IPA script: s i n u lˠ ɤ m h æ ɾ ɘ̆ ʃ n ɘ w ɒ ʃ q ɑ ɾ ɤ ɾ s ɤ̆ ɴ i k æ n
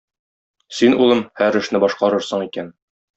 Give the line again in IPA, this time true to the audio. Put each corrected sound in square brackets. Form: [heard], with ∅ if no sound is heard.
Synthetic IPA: s i n u lˠ ɤ m h æ ɾ ɘ̆ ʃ n ɘ [b] ɒ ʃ q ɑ ɾ ɤ ɾ s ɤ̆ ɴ i k æ n